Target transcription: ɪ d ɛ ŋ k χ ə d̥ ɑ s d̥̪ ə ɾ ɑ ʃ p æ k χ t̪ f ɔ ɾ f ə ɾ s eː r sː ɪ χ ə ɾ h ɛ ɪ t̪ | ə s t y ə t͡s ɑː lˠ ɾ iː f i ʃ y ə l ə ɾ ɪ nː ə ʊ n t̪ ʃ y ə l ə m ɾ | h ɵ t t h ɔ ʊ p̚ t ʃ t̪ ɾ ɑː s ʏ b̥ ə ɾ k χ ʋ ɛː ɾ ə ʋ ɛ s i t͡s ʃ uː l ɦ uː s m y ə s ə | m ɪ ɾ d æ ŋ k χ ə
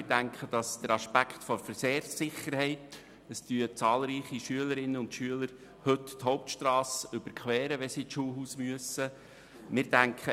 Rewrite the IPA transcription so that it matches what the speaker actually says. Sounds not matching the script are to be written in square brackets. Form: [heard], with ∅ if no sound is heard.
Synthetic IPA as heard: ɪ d [æ] ŋ k χ ə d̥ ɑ s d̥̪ ə ɾ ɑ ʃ p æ k χ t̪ f ɔ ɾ f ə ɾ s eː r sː ɪ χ ə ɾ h ɛ ɪ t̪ | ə s t y ə t͡s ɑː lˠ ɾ iː [χ] i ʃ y ə l ə ɾ ɪ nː ə ʊ n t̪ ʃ y ə l ə [∅] ɾ | h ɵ t t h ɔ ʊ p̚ t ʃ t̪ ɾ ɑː s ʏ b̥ ə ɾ k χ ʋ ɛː ɾ ə ʋ ɛ s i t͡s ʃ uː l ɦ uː s m y ə s ə | m ɪ ɾ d æ ŋ k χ ə